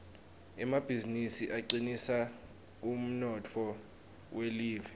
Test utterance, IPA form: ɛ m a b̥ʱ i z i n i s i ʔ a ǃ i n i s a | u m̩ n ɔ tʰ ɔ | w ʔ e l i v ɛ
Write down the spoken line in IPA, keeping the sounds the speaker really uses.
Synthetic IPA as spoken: ɛ m a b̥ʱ i z i n i s i ʔ a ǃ i n i s a | u m̩ n ɔ tʰ ɔ | w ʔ e l iː v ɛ